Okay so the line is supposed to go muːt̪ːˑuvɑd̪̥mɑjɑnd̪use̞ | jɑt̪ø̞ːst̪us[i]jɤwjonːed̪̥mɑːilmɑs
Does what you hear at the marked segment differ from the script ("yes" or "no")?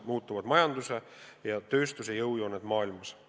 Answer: yes